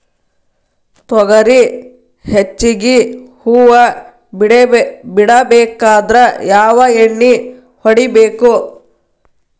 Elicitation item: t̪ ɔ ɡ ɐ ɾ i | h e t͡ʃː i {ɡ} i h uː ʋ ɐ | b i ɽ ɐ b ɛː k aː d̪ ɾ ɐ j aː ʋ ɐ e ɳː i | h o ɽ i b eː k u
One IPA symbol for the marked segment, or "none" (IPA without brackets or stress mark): ɡ